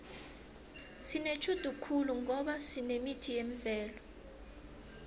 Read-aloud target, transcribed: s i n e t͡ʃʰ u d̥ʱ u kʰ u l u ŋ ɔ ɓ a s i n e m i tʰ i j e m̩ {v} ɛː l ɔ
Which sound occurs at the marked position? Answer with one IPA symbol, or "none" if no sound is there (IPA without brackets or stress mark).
v